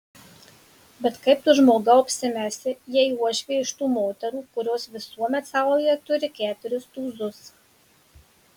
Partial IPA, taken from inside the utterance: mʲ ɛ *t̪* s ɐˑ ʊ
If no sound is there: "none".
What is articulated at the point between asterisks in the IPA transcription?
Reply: t̪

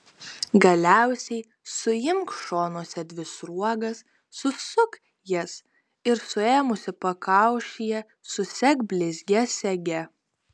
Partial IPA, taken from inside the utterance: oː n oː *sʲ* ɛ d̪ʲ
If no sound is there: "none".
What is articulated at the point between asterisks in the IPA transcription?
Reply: sʲ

